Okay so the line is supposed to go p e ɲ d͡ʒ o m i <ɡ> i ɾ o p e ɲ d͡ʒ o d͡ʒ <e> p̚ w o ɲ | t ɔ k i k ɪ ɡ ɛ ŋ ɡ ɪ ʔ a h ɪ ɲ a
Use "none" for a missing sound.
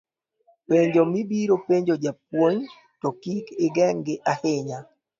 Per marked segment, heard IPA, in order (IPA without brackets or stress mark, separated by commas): b, a